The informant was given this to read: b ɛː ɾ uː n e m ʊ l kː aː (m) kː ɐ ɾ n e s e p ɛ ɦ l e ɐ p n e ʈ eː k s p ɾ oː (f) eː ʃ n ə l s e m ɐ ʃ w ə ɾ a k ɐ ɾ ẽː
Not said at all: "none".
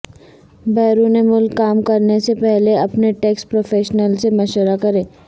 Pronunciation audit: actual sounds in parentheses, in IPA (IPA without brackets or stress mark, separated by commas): m, f